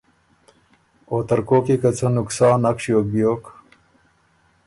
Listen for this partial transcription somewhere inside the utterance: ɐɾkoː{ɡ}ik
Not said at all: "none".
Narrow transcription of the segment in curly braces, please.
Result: k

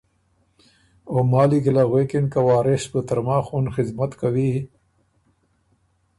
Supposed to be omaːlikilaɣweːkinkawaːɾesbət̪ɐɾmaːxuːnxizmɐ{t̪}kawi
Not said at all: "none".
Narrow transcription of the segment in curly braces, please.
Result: t̪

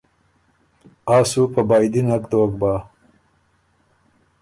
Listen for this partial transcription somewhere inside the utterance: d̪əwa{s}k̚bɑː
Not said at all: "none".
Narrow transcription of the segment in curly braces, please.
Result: none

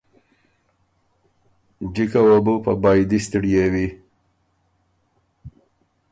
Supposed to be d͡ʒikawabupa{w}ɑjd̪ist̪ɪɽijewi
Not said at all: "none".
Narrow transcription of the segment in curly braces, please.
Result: b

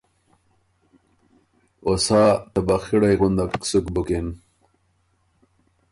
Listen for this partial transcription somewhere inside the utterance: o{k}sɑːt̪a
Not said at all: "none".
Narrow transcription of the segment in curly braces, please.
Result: none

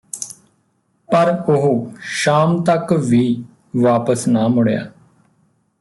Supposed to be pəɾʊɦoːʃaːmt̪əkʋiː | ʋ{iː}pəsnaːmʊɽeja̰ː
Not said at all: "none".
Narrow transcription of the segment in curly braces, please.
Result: aː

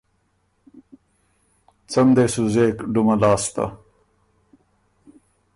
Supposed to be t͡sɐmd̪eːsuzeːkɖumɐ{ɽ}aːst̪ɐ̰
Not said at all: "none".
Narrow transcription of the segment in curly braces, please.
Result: l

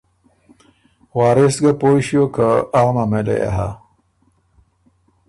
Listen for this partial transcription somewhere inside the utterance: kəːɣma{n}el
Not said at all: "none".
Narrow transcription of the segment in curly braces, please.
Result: m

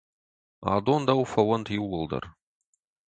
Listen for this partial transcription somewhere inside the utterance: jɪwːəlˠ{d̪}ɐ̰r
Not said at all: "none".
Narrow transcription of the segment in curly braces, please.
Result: d̪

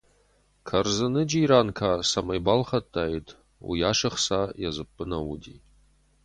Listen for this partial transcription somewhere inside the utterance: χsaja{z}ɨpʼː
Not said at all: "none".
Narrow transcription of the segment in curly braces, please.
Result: z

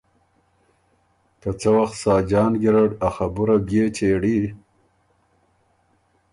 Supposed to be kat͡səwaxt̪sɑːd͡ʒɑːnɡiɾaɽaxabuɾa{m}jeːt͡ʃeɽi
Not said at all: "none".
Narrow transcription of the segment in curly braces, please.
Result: b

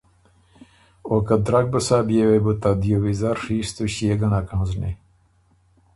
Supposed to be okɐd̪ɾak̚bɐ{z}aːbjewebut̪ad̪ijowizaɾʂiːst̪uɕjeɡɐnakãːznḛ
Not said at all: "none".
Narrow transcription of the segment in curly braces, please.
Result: s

